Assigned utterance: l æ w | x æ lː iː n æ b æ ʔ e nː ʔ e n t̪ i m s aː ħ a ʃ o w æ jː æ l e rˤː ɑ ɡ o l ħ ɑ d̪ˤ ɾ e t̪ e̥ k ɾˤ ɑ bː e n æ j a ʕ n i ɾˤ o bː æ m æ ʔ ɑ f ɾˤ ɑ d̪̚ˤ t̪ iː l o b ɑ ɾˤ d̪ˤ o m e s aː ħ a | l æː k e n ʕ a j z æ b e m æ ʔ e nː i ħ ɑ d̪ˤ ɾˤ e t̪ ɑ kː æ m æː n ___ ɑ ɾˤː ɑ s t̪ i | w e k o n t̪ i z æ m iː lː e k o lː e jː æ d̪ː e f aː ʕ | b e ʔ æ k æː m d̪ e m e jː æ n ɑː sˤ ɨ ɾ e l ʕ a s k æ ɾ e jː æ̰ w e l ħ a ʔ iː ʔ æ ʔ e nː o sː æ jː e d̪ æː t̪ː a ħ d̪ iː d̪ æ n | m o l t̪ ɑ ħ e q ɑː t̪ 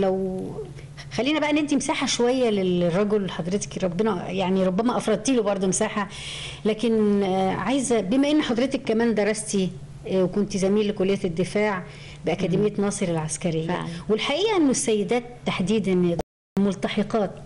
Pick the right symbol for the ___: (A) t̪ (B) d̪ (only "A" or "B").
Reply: B